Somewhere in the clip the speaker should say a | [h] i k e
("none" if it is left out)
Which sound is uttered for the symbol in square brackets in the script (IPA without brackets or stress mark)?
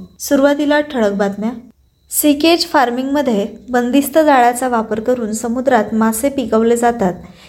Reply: s